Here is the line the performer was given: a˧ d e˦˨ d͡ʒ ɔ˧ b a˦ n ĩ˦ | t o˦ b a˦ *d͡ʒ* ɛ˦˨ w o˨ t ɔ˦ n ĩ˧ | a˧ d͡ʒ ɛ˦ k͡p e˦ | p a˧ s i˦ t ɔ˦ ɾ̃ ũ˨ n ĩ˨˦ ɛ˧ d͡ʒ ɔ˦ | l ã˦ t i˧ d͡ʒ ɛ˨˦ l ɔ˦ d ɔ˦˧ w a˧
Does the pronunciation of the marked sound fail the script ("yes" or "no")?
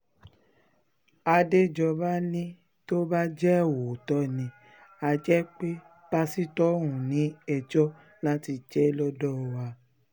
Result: no